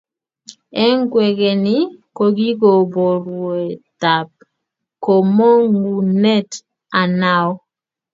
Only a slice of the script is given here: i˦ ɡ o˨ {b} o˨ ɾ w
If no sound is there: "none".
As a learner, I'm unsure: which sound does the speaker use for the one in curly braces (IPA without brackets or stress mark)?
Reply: b